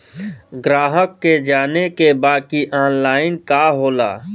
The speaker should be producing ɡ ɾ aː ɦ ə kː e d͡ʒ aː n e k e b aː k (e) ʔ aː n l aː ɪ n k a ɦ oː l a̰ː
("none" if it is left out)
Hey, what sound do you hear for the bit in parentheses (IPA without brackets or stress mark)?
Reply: i